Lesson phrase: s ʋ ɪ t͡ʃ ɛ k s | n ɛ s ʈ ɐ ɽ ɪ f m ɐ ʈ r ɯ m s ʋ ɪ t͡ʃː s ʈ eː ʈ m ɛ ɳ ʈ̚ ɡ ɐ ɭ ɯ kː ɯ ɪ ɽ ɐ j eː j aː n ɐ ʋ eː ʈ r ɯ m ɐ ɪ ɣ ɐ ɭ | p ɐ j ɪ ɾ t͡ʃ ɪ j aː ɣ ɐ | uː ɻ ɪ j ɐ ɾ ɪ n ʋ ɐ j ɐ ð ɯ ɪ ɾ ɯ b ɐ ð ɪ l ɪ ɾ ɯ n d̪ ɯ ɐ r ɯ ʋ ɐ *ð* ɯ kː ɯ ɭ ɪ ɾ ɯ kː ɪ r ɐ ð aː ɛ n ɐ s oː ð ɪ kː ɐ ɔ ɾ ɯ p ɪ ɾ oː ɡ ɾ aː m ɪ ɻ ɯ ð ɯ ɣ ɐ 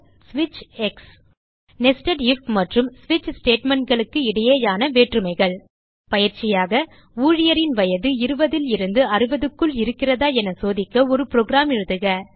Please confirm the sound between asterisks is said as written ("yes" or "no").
yes